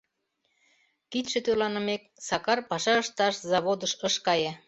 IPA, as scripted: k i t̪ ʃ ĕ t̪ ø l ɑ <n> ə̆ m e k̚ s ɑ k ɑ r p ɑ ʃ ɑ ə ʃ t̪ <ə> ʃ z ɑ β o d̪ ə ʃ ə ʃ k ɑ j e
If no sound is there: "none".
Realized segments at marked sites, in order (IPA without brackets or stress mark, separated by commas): n, ɑ